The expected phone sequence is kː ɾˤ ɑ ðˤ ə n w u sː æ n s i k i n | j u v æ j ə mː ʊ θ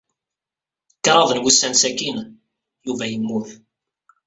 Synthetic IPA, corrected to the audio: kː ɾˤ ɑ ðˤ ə n w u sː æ n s æ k i n | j u v æ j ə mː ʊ θ